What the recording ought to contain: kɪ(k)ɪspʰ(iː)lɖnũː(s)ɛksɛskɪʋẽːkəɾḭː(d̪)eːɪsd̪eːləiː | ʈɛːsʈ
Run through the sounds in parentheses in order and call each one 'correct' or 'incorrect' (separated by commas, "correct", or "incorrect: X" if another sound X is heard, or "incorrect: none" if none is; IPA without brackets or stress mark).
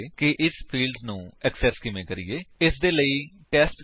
incorrect: ʔ, correct, incorrect: none, incorrect: none